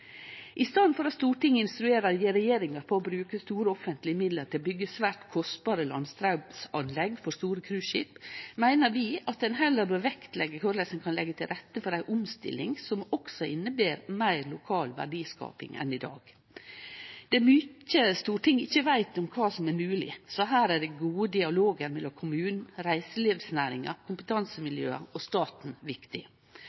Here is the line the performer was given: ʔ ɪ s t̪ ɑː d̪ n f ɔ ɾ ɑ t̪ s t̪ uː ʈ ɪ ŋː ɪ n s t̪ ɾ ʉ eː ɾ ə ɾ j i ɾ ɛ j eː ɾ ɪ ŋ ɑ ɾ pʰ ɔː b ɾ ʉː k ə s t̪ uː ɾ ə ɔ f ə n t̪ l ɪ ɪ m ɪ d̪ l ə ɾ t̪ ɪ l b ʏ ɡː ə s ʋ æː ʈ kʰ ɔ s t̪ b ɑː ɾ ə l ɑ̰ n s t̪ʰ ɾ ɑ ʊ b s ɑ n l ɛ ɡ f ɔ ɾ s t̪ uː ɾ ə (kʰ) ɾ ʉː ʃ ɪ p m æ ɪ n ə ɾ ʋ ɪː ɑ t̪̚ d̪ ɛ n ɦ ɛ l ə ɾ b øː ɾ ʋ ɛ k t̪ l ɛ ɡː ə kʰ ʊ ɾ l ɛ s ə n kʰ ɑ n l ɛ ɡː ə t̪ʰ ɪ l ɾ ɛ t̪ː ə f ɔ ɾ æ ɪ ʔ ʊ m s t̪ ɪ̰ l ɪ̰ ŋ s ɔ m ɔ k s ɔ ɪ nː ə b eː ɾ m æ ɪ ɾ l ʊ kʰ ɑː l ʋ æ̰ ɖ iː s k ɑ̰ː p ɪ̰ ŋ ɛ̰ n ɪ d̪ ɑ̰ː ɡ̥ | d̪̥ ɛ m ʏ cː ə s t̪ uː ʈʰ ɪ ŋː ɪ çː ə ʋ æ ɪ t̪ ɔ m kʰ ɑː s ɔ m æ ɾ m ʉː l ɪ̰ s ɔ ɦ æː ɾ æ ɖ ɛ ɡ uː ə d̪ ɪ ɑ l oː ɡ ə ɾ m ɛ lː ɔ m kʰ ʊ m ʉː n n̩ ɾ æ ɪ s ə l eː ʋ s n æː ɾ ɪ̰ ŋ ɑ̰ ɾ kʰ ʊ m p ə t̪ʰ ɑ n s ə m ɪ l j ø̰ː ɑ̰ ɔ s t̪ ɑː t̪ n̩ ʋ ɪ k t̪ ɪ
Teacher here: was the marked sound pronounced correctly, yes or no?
yes